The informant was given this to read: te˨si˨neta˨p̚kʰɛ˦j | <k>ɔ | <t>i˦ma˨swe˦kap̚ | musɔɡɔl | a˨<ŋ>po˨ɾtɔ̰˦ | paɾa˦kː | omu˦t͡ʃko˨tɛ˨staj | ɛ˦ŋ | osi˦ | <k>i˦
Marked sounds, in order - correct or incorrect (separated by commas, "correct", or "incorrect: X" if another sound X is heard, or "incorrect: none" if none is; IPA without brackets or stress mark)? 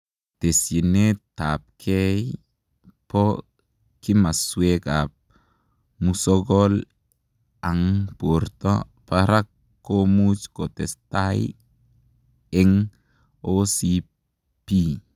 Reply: incorrect: p, incorrect: k, correct, incorrect: p